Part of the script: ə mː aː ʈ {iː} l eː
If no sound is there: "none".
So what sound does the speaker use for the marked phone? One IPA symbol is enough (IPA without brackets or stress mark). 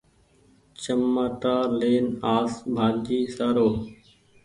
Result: aː